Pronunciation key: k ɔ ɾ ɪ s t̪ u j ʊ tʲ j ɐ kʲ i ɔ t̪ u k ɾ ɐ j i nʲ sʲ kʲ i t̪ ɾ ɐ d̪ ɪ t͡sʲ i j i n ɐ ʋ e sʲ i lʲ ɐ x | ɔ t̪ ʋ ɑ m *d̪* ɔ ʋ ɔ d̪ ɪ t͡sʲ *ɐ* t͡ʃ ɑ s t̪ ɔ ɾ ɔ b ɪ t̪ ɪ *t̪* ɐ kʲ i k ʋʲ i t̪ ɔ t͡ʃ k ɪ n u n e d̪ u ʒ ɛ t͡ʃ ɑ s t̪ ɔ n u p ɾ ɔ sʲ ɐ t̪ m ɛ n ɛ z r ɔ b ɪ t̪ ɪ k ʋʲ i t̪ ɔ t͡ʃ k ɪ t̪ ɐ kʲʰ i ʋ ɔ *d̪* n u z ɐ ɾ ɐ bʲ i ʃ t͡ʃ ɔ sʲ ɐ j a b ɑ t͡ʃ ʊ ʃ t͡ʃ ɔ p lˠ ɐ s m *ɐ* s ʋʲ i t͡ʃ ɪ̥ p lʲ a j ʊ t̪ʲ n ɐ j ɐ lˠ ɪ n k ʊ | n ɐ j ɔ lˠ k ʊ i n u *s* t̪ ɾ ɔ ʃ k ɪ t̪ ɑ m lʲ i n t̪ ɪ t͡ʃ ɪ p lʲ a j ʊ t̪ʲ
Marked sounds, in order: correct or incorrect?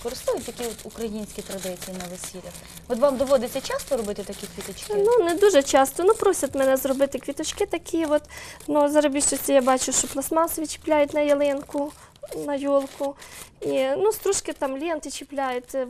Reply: correct, correct, correct, incorrect: t̪, incorrect: ɑ, correct

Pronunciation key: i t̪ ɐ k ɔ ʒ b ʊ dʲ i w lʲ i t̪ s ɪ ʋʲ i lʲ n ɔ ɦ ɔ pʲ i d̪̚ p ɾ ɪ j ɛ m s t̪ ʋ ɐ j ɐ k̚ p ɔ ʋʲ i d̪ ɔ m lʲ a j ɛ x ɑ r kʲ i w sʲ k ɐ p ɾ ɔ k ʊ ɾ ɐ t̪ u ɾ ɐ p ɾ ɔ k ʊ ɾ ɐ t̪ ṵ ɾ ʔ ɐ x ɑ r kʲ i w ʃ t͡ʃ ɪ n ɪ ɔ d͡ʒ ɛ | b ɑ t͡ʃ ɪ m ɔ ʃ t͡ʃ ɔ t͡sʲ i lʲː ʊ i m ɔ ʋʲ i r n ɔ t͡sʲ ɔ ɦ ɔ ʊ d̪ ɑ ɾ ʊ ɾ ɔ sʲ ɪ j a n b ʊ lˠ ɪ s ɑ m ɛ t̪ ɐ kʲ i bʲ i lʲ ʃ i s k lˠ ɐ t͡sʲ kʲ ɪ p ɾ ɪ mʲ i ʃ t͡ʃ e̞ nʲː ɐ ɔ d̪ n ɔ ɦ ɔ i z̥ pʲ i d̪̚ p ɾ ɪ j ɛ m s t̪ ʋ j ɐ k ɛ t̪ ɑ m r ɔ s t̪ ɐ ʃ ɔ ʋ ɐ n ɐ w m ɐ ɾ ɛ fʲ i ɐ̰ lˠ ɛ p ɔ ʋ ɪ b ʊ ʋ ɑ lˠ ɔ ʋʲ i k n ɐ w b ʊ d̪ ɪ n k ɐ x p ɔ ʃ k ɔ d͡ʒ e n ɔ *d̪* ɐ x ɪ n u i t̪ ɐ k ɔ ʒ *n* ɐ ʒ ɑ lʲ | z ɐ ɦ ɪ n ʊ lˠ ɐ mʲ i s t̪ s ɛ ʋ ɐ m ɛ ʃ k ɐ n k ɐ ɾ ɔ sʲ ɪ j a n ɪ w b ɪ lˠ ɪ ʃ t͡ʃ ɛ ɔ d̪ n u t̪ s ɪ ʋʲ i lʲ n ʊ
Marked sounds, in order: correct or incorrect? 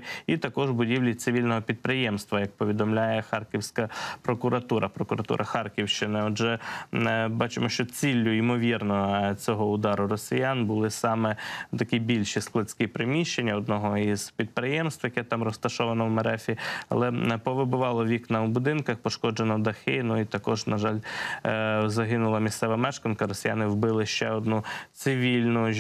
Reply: correct, correct

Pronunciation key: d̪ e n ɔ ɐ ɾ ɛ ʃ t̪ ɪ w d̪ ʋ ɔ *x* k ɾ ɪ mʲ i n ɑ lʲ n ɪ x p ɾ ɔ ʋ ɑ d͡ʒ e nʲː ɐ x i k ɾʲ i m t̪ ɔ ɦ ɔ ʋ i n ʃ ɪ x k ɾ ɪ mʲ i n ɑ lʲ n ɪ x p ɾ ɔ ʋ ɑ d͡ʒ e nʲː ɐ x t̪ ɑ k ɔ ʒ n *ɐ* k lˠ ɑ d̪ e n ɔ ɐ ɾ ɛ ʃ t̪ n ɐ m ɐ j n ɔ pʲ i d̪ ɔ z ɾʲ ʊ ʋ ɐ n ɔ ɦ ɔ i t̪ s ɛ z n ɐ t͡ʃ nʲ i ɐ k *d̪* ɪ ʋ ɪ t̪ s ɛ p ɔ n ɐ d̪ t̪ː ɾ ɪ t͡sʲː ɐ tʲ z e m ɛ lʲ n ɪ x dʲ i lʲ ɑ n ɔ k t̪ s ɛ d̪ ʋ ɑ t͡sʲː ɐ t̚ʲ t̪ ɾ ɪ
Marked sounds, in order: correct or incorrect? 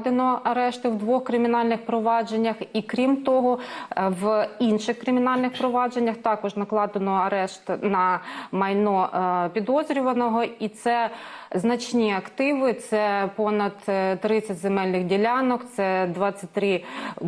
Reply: correct, correct, incorrect: t̪

